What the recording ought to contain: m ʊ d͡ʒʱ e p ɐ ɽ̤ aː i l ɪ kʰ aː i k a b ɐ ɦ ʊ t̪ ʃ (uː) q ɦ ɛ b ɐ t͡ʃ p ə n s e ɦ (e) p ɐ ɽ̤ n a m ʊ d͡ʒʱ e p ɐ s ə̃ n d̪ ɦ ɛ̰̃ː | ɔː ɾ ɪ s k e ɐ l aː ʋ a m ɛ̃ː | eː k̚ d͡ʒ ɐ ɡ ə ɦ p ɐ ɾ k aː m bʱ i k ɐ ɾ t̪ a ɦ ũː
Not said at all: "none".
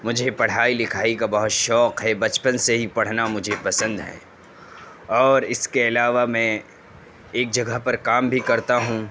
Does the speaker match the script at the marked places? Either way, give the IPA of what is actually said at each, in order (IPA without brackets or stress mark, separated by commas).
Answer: ɔː, i